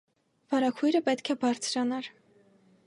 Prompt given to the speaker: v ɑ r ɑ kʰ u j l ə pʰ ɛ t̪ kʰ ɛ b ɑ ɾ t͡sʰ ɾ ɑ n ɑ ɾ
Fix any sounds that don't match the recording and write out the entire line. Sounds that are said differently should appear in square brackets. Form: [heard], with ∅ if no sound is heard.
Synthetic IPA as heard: v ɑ [ɾ] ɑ kʰ u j [ɾ] ə [p] ɛ t̪ kʰ ɛ b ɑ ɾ t͡sʰ ɾ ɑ n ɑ ɾ